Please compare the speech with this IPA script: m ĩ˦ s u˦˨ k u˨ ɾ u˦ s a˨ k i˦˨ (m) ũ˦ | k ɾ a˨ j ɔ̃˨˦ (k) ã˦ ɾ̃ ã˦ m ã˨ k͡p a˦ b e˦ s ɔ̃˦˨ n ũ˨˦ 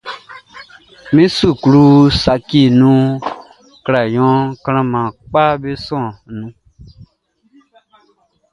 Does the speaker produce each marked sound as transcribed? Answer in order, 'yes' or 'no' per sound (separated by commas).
no, yes